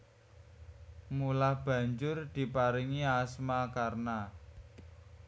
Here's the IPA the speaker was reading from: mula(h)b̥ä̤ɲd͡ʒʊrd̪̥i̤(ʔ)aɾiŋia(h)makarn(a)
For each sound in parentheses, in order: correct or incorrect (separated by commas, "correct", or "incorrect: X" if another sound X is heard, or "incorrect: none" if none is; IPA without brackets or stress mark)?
correct, incorrect: p, incorrect: s, correct